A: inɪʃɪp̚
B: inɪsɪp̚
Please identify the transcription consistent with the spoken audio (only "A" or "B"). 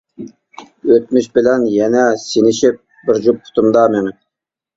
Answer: A